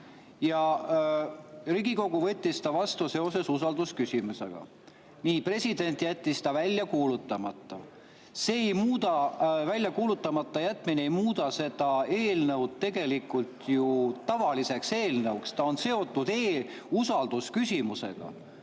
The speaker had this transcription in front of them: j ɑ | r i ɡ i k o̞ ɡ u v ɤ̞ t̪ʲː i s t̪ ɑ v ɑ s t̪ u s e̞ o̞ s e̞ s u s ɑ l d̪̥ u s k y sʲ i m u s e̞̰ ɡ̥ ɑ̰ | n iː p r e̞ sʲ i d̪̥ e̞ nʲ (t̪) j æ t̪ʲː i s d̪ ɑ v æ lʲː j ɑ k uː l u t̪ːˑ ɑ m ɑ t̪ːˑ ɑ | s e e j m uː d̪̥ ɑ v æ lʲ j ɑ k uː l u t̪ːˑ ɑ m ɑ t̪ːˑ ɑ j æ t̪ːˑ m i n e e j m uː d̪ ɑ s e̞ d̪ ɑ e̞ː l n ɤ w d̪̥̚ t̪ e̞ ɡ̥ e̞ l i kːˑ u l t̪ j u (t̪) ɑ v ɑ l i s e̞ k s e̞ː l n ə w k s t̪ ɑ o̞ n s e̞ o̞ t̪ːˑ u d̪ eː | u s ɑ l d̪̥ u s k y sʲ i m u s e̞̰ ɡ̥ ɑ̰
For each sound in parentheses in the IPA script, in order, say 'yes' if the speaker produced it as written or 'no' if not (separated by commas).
yes, yes